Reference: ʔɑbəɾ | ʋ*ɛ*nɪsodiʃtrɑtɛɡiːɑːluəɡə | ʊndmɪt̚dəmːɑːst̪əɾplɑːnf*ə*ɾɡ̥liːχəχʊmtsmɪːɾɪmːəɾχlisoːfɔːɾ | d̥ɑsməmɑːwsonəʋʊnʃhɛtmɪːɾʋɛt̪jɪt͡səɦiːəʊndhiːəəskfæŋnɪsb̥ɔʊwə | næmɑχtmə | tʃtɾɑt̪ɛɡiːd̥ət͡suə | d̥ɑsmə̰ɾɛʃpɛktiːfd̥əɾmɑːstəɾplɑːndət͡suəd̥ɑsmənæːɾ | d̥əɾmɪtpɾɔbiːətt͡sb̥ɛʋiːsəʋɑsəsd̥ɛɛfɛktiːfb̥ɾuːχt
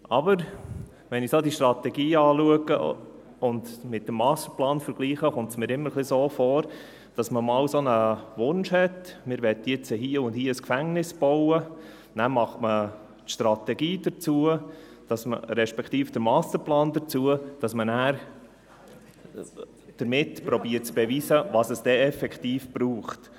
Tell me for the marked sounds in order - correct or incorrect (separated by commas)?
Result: correct, correct